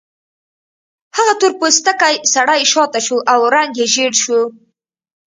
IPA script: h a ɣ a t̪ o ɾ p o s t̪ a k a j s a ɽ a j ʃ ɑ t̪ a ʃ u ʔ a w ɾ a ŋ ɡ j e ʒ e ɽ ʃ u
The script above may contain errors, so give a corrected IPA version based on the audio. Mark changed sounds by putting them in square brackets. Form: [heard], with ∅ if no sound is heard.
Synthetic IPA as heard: h a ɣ a t̪ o ɾ p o s t̪ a k a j s a ɽ a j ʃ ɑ t̪ a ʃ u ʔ a w ɾ a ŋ ɡ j e ʒ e ɽ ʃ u